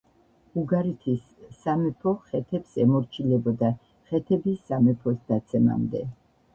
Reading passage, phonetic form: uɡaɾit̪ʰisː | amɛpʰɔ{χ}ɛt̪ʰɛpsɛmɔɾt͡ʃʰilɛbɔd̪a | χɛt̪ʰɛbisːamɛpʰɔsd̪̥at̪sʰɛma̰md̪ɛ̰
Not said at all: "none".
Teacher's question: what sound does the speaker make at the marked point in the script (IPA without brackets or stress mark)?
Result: χ